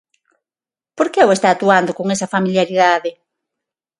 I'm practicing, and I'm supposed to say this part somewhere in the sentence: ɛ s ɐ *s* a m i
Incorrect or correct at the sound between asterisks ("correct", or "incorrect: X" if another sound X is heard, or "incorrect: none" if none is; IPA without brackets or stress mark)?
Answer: incorrect: f